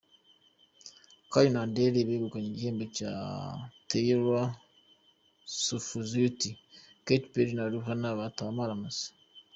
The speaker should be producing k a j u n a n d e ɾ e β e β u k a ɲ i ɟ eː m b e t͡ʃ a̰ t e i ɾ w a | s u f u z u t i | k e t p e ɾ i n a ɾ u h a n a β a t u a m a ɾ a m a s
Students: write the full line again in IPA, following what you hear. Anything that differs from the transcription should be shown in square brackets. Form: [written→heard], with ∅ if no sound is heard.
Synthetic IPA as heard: k a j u n a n d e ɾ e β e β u k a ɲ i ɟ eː m b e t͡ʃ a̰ t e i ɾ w a | s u f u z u t i | k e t p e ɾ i n a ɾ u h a n a β a t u a m a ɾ a m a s